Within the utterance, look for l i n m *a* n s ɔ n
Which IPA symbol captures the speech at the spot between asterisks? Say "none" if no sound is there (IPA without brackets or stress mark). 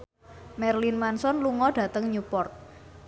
a